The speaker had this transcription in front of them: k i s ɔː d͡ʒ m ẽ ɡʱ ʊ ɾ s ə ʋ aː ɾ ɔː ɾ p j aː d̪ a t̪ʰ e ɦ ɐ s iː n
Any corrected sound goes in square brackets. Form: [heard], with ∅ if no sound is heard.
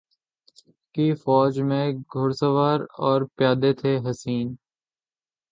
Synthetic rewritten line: k i [f] ɔː d͡ʒ m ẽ ɡʱ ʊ ɾ s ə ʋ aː ɾ ɔː ɾ p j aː d̪ [e] t̪ʰ e ɦ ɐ s iː n